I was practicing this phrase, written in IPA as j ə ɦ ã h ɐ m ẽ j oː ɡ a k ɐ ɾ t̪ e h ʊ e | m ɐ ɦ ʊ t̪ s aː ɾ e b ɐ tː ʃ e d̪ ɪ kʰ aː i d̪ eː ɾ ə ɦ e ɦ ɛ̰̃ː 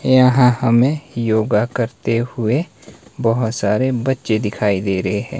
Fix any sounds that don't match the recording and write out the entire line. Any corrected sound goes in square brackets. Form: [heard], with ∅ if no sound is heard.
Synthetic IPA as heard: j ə ɦ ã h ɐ m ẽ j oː ɡ a k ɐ ɾ t̪ e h ʊ e | [b] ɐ ɦ ʊ t̪ s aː ɾ e b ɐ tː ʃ e d̪ ɪ kʰ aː i d̪ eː ɾ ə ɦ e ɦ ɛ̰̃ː